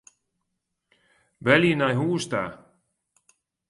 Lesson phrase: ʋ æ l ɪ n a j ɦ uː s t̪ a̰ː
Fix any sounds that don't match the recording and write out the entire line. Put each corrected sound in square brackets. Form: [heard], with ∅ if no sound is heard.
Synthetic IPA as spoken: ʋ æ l [i] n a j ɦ uː s t̪ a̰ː

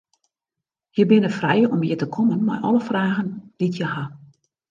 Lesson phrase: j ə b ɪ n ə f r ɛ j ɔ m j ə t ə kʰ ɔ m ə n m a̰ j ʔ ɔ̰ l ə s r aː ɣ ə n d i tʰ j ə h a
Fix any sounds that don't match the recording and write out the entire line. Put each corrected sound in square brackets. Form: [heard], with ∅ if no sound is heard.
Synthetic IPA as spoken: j ə b ɪ n ə f r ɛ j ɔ m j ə t ə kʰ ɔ m ə n m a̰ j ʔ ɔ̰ l ə [f] r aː ɣ ə n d i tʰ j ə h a

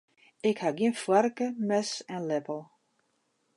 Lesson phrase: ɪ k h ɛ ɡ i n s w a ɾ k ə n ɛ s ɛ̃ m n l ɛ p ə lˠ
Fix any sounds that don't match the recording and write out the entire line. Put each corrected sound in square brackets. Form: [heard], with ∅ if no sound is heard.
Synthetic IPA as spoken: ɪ k h [a] ɡ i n [f] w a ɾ k ə [m] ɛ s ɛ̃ [∅] n l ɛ p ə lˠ

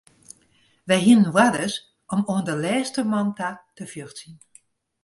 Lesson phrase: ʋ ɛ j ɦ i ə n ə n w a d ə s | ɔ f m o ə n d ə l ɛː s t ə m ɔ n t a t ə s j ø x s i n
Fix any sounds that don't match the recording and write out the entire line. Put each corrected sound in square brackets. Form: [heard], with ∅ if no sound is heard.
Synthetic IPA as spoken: ʋ ɛ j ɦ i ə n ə n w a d ə s | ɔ [∅] m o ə n d ə l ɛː s t ə m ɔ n t a t ə [f] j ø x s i n

